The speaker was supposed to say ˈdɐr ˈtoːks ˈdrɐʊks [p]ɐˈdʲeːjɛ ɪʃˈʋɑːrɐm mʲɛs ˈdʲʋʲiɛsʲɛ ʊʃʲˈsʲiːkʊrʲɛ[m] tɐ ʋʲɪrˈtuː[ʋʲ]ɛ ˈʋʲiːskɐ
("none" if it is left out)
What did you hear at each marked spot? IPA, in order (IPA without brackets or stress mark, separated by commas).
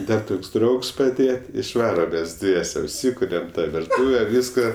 p, m, ʋʲ